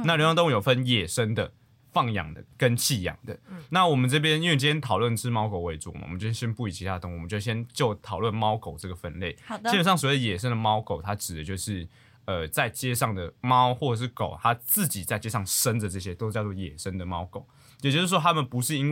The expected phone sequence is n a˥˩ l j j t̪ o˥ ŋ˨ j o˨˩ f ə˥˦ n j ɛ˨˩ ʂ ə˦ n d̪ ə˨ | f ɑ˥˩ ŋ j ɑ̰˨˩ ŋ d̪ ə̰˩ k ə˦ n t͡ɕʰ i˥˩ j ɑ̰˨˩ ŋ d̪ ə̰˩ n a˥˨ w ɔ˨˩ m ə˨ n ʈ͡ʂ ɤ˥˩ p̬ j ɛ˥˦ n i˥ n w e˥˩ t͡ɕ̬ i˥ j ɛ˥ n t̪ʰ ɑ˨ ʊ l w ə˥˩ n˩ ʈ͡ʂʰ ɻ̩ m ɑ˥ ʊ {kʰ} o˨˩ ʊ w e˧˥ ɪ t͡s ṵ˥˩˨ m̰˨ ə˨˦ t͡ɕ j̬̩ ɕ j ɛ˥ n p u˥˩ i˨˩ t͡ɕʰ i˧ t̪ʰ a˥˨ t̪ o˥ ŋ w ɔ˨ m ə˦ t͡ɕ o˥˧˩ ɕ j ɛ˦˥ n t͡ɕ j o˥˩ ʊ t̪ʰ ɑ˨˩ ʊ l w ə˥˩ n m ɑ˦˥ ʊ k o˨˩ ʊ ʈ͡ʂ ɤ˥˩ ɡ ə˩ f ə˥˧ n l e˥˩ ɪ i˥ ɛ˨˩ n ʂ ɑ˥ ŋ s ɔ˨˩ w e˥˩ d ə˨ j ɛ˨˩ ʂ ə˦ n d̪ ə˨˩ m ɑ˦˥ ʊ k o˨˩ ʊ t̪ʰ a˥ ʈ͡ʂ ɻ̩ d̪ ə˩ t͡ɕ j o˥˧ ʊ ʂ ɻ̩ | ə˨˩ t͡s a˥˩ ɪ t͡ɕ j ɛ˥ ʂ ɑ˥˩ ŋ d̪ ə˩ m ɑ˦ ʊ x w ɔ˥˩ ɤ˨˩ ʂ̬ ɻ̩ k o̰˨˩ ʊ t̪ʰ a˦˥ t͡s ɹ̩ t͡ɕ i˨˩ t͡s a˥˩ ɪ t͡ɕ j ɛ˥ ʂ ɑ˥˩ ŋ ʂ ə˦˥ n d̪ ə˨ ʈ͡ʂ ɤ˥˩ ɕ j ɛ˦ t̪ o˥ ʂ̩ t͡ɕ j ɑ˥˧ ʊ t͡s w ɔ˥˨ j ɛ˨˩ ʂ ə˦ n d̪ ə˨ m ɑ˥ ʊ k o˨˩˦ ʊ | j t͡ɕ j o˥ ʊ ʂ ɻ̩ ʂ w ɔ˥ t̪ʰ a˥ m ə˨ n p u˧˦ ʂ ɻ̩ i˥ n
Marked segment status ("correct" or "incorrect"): incorrect